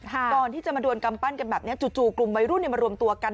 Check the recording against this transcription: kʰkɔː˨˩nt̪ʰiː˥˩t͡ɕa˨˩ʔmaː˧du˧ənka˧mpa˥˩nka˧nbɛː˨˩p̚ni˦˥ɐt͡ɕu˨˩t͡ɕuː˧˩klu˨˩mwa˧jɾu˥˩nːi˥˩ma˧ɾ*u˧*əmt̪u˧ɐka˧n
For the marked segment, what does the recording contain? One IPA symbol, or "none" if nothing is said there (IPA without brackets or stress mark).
u˧